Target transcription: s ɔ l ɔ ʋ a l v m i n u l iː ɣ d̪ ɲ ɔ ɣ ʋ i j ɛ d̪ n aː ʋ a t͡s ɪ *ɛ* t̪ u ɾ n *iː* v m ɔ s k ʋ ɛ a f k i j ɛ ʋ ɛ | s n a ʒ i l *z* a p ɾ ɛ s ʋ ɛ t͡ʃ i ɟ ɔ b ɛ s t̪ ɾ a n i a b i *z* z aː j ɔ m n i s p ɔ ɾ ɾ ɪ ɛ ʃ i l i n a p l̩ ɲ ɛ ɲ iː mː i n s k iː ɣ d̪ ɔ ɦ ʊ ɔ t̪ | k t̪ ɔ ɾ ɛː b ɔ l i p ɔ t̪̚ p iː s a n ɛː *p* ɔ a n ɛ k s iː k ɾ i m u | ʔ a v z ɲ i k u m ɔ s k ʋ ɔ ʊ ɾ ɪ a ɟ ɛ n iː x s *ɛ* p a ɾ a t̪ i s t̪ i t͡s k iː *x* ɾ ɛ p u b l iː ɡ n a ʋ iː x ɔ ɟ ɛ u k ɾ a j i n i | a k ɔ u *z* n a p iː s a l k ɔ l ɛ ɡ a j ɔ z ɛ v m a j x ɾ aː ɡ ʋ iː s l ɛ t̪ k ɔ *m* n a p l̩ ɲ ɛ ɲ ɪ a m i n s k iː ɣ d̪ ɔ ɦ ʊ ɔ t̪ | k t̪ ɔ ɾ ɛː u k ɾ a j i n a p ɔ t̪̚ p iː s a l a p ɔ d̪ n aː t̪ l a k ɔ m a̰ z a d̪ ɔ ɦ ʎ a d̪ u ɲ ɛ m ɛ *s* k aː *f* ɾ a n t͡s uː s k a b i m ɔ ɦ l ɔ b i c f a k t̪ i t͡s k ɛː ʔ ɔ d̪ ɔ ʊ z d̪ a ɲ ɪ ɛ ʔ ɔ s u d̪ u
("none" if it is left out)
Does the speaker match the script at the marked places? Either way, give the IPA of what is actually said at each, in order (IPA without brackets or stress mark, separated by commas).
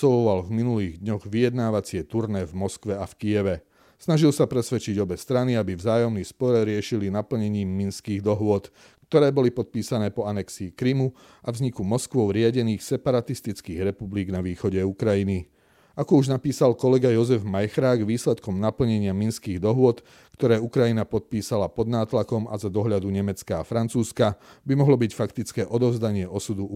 ɛ, ɛː, s, v, p, ɛ, ɣ, ʒ, m, t͡s, f